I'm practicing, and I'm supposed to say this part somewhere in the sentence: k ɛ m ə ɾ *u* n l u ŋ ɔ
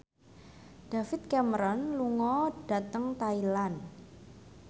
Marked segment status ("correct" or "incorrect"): incorrect